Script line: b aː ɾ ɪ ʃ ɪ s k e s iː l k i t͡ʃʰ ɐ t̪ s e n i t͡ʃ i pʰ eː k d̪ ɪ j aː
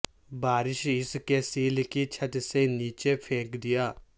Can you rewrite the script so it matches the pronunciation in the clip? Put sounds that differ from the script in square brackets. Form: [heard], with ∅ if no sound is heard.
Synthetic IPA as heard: b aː ɾ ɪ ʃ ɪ s k e s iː l k i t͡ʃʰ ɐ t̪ s e n [iː] t͡ʃ [e] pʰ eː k d̪ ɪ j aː